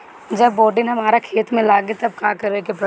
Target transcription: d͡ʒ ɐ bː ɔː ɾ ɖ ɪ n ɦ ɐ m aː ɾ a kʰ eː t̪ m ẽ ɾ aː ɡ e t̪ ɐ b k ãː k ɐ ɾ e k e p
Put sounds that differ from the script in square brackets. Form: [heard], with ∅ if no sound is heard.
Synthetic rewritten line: d͡ʒ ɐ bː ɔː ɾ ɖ ɪ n ɦ ɐ m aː ɾ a kʰ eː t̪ m ẽ [l] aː ɡ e t̪ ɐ b k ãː k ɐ ɾ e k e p

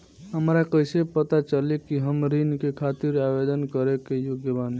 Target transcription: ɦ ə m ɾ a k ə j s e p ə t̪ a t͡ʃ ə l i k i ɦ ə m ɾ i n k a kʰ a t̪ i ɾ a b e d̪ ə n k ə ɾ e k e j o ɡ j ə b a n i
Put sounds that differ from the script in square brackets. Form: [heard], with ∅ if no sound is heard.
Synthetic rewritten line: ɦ ə m ɾ a k ə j s e p ə t̪ a t͡ʃ ə l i k i ɦ ə m ɾ i n k [e] kʰ a t̪ i ɾ a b e d̪ ə n k ə ɾ e k e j o ɡ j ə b a n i

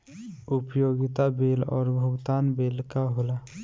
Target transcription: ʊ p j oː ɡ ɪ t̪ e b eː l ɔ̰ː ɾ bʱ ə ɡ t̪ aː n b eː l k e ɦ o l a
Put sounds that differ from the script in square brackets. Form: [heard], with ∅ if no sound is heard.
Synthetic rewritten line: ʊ p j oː ɡ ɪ t̪ [a] b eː l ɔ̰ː ɾ bʱ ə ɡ t̪ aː n b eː l k [a] ɦ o l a

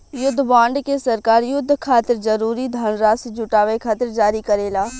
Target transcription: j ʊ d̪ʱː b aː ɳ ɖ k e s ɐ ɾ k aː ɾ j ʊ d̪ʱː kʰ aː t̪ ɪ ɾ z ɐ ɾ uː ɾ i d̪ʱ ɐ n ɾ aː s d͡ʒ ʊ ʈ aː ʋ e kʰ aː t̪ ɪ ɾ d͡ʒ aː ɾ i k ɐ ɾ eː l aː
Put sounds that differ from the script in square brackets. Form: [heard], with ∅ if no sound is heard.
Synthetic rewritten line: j ʊ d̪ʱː b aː ɳ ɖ k e s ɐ ɾ k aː ɾ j ʊ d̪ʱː kʰ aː t̪ ɪ ɾ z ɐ ɾ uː ɾ i d̪ʱ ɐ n ɾ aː s d͡ʒ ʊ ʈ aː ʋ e kʰ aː t̪ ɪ ɾ d͡ʒ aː ɾ i k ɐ ɾ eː l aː

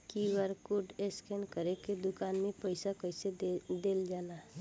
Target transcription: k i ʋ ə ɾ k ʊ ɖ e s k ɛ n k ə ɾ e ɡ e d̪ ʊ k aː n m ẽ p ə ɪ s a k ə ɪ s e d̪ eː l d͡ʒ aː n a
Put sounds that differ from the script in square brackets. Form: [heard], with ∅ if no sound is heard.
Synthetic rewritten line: k i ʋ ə ɾ k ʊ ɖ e s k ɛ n k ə ɾ e [k] e d̪ ʊ k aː n m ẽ p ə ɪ s a k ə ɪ s e d̪ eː l d͡ʒ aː n a

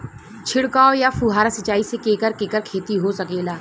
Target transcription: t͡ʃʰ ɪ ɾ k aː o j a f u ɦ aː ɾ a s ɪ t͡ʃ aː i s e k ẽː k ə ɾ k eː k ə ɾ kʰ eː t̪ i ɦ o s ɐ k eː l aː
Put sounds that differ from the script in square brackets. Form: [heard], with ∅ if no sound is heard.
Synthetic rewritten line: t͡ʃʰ ɪ [ɽ] k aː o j a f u ɦ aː ɾ a s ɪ t͡ʃ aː i s e k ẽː k ə ɾ k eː k ə ɾ kʰ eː t̪ i ɦ o s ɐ k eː l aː

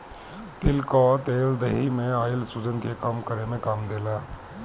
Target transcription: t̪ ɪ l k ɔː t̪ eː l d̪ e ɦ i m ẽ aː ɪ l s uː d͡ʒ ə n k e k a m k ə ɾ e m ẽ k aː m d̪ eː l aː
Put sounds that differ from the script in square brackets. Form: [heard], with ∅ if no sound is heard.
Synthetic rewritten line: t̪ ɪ l k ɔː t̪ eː l d̪ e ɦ i m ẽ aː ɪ l s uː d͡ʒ ə n k e k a m k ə ɾ e m ẽ k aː m d̪ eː l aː

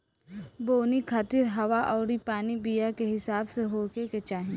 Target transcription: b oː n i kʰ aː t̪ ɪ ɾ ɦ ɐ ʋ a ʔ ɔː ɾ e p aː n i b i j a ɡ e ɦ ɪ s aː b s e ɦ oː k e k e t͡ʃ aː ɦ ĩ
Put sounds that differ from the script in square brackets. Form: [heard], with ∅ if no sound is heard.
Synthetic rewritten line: b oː n i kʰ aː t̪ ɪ ɾ ɦ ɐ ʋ a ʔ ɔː ɾ [i] p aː n i b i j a [k] e ɦ ɪ s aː b s e ɦ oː k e k e t͡ʃ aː ɦ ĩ

